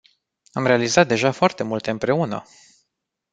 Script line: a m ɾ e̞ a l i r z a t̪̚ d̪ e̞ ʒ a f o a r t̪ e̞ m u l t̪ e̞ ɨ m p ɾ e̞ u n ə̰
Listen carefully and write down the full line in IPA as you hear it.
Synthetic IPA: a m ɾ e̞ a l i z a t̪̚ d̪ e̞ ʒ a f o a r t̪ e̞ m u l t̪ e̞ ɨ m p ɾ e̞ u n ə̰